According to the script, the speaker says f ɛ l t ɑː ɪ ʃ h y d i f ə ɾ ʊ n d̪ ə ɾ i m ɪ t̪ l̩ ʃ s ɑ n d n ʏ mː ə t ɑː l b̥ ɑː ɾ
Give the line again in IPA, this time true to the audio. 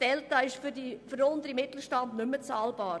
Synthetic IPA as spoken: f ɛ l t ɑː ɪ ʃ f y d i f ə ɾ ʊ n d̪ ə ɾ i m ɪ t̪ l̩ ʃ t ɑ n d n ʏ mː ə t͡s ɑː l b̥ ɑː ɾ